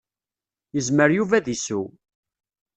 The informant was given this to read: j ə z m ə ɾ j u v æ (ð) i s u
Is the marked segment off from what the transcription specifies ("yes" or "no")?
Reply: no